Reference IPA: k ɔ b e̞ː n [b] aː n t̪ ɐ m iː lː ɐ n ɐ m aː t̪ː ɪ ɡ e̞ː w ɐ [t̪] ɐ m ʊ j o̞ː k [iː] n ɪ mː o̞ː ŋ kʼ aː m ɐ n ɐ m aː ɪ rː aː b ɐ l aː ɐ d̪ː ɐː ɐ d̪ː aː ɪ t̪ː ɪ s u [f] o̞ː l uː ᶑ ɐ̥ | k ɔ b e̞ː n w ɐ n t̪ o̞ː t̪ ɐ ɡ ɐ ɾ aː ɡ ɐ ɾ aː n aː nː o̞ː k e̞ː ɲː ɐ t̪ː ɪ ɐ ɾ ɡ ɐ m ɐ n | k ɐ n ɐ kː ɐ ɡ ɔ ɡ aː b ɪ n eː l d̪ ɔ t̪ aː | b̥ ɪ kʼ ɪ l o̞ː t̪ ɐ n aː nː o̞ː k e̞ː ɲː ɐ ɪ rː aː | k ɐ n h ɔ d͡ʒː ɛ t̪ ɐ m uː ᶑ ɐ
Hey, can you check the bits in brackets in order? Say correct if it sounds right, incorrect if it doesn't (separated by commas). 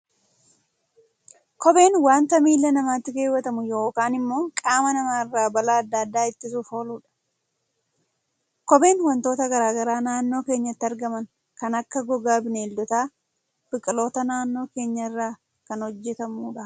incorrect, correct, incorrect, correct